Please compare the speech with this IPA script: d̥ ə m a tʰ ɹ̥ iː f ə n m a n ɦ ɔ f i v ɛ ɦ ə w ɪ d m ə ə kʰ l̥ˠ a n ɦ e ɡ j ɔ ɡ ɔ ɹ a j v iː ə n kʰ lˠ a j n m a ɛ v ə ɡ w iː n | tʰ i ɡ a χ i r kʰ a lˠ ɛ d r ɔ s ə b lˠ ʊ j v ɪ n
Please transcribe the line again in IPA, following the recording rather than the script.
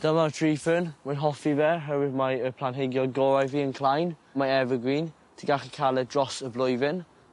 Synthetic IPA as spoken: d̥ ə m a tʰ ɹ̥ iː f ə n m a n ɦ ɔ f i v ɛ ɦ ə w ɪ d m a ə pʰ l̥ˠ a n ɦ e ɡ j ɔ ɡ ɔ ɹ a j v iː ə n kʰ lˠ a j n m a ɛ v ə ɡ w iː n | tʰ i ɡ a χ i kʰ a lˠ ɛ d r ɔ s ə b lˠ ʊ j v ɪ n

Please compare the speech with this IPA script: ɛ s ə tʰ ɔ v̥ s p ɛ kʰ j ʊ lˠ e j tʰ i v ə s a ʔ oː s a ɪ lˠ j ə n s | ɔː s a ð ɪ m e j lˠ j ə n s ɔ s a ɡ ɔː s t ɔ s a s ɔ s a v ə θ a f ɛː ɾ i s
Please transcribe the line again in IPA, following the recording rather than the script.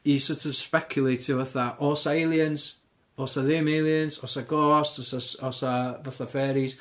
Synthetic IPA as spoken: i s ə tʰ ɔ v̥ s p ɛ kʰ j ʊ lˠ e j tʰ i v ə θ a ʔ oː s a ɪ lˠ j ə n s | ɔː s a ð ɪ m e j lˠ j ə n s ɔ s a ɡ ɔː s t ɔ s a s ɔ s a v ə θ a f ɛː ɾ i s

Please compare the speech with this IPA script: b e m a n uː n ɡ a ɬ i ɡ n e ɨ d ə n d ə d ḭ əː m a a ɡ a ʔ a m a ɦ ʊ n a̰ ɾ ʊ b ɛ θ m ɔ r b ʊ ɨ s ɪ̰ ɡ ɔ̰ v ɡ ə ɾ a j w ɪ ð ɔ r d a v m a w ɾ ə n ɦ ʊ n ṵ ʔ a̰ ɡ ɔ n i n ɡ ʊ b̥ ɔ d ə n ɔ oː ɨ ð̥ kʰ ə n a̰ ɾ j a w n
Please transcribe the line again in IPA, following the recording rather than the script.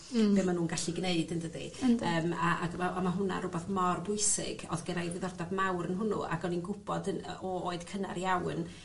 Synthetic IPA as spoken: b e m a n uː n ɡ a ɬ i ɡ n e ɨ d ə n d ə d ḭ əː m a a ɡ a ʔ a m a ɦ ʊ n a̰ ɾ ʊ b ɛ θ m ɔ r b ʊ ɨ s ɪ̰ ɡ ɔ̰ ð ɡ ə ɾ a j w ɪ ð ɔ r d a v m a w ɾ ə n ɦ ʊ n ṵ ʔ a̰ ɡ ɔ n i n ɡ ʊ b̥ ɔ d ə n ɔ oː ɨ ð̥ kʰ ə n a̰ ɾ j a w n

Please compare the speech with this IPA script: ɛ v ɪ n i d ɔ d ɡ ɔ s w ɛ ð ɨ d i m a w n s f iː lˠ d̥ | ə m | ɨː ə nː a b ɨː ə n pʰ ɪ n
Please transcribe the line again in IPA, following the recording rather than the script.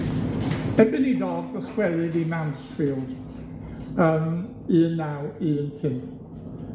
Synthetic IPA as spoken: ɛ b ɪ n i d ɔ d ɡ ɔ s w ɛ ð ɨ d i m a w n s f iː lˠ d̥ | ə m | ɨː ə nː a w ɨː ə n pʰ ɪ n

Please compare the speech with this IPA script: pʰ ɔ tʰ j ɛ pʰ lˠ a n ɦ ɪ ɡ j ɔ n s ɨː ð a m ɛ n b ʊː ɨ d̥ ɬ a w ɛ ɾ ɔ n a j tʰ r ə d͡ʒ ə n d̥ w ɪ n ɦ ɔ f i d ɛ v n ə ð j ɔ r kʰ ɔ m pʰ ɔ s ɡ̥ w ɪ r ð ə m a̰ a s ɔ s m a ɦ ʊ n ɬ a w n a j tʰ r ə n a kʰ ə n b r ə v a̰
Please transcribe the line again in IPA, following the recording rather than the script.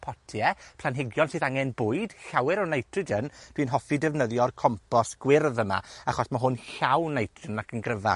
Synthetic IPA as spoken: pʰ ɔ tʰ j ɛ pʰ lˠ a n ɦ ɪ ɡ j ɔ n s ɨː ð a ŋ ɛ n b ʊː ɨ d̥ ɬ a w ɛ ɾ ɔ n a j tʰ r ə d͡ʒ ə n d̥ w i n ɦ ɔ f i d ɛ v n ə ð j ɔ r kʰ ɔ m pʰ ɔ s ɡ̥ w ɪ r ð ə m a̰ a χ ɔ s m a ɦ ʊ n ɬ a w n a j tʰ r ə n a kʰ ə n ɡ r ə v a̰

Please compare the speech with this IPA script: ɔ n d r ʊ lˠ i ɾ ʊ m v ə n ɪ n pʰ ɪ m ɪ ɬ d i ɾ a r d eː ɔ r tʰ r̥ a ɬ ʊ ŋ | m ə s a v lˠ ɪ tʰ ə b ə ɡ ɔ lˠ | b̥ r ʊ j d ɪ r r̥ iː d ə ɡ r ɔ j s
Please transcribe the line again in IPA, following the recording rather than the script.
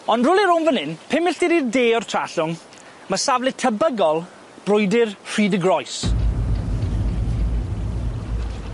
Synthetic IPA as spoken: ɔ n d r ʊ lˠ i ɾ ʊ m v ə n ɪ n pʰ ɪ m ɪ ɬ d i ɾ i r d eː ɔ r tʰ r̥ a ɬ ʊ ŋ | m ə s a v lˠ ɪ tʰ ə b ə ɡ ɔ lˠ | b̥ r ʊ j d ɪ r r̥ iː d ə ɡ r ɔ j s

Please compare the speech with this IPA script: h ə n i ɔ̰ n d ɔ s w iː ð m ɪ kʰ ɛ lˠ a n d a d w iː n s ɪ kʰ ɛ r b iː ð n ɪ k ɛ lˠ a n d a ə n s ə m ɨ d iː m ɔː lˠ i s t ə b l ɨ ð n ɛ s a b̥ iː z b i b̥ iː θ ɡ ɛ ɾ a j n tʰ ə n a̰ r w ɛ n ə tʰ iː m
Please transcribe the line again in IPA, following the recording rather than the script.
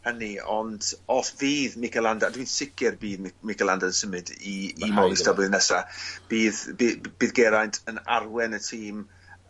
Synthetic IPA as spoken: h ə n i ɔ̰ n d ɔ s v iː ð m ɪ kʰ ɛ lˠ a n d a d w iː n s ɪ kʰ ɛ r b iː ð m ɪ k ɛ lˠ a n d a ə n s ə m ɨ d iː m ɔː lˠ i s t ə b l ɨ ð n ɛ s a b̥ iː ð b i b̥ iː ð ɡ ɛ ɾ a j n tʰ ə n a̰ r w ɛ n ə tʰ iː m

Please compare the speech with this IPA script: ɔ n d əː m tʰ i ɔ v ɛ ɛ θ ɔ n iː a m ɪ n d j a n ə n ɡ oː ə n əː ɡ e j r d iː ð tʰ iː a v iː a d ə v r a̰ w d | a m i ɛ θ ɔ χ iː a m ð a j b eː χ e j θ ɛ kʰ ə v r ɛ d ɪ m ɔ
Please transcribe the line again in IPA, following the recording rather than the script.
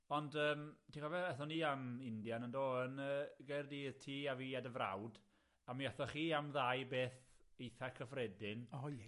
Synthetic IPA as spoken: ɔ n d əː m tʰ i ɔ v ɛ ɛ θ ɔ n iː a m ɪ n d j a n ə n d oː ə n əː ɡ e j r d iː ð tʰ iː a v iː a d ə v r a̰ w d | a m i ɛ θ ɔ χ iː a m ð a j b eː θ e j θ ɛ kʰ ə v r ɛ d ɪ n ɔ

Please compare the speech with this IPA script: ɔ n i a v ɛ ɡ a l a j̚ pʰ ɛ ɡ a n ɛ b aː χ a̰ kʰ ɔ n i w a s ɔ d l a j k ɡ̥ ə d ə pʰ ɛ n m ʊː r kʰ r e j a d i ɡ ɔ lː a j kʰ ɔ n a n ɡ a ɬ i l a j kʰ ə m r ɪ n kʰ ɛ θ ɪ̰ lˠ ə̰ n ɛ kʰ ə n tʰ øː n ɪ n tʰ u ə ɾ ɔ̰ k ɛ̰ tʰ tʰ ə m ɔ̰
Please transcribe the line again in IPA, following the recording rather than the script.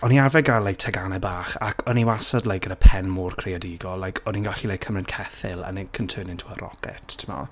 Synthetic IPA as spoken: ɔ n i a v ɛ ɡ a l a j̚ tʰ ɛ ɡ a n ɛ b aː χ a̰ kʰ ɔ n i w a s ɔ d l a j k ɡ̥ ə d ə pʰ ɛ n m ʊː r kʰ r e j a d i ɡ ɔ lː a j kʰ ɔ n i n ɡ a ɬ i l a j kʰ ə m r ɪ n kʰ ɛ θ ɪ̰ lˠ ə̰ n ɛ kʰ ə n tʰ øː n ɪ n tʰ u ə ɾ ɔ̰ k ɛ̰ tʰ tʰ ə m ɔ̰

